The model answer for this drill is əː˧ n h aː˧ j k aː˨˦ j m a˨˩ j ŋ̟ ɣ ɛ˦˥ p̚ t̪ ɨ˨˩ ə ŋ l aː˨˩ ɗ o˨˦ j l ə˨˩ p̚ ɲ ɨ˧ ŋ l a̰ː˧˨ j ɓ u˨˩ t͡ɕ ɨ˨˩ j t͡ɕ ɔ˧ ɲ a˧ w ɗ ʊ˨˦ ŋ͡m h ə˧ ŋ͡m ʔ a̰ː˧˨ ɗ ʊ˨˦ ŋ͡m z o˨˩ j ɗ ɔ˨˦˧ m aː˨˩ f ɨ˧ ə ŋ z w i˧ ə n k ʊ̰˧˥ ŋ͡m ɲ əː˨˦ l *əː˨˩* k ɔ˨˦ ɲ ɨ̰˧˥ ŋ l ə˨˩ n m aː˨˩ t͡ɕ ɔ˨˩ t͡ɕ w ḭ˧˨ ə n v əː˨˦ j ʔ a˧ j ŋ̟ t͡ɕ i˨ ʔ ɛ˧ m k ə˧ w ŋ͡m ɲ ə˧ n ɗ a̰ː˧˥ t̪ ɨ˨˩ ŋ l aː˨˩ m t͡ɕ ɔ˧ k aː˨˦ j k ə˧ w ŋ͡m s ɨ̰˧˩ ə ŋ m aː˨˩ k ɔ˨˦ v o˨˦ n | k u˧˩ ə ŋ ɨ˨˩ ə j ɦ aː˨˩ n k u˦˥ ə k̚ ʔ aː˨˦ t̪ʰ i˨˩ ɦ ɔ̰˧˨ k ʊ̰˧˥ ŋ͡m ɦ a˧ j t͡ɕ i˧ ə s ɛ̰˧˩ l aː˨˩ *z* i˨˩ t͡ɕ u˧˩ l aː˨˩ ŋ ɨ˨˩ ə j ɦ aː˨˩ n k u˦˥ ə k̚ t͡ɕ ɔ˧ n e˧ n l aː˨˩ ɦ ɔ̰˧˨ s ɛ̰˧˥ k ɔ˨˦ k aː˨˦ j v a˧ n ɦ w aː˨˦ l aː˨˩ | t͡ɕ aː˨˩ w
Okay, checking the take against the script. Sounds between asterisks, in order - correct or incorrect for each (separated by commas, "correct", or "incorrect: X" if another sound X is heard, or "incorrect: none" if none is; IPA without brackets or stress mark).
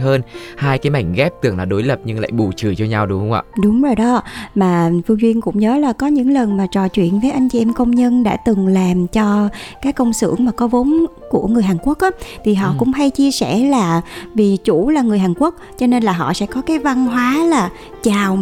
incorrect: aː˨˩, incorrect: v